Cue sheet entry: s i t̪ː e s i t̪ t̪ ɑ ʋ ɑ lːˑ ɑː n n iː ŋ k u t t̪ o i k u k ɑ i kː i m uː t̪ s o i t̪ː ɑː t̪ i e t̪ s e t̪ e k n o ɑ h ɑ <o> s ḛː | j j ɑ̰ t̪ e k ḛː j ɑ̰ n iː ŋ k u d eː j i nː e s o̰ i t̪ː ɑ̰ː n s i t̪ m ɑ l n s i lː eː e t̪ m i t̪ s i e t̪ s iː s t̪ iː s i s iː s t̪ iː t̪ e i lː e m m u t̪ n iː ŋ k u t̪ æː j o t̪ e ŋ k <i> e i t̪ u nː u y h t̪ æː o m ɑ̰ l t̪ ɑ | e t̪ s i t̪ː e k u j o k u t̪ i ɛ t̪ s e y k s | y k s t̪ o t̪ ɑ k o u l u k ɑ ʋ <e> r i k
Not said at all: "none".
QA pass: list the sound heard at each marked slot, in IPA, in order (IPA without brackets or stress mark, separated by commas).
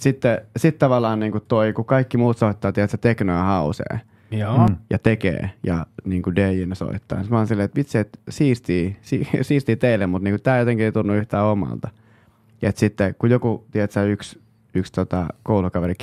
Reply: u, i, e